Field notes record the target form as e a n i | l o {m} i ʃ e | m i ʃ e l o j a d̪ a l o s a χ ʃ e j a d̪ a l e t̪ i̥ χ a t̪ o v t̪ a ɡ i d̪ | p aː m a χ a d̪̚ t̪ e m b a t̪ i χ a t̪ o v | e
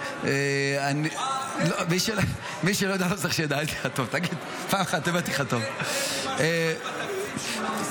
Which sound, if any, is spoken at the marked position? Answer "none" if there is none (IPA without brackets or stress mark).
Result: m